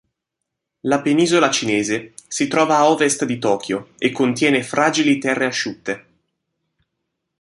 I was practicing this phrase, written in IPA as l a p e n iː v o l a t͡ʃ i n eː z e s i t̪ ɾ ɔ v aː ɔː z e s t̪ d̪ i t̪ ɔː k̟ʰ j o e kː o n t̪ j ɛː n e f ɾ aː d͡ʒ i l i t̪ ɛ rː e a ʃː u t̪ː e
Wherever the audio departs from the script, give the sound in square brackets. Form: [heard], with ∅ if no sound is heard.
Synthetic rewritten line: l a p e n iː [z] o l a t͡ʃ i n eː z e s i t̪ ɾ [ɔː] v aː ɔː [v] e s t̪ d̪ i t̪ ɔː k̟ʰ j o e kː o n t̪ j ɛː n e f ɾ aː d͡ʒ i l i t̪ ɛ rː e a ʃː u t̪ː e